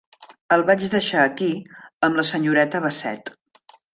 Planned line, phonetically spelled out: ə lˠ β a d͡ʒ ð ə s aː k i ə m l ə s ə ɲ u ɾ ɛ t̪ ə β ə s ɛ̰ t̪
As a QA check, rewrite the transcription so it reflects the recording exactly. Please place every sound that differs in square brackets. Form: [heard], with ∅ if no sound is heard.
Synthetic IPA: ə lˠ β a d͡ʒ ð ə [ʃ] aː k i ə m l ə s ə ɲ u ɾ ɛ t̪ ə β ə s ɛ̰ t̪